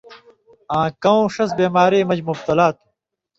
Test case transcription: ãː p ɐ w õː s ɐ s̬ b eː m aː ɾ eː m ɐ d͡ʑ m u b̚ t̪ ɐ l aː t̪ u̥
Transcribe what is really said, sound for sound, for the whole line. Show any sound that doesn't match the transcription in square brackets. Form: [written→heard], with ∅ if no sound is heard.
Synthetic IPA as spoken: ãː [p→k] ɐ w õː [s→ʂ] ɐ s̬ b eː m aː ɾ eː m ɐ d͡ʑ m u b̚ t̪ ɐ l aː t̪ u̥